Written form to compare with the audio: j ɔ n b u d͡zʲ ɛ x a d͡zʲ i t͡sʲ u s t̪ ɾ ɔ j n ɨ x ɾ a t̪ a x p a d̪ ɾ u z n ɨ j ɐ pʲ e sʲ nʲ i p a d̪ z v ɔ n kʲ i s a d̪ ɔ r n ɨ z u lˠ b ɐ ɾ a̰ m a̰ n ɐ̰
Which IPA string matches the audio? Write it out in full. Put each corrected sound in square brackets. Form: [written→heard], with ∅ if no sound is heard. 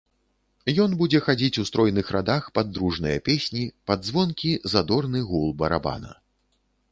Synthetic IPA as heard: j ɔ n b u d͡zʲ ɛ x a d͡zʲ i t͡sʲ u s t̪ ɾ ɔ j n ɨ x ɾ a [t̪→d̪] a x p a d̪ ɾ u [z→ʐ] n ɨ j ɐ pʲ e sʲ nʲ i p a d̪ z v ɔ n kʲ i [s→z] a d̪ ɔ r n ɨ [z→ɣ] u lˠ b ɐ ɾ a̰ [m→b] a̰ n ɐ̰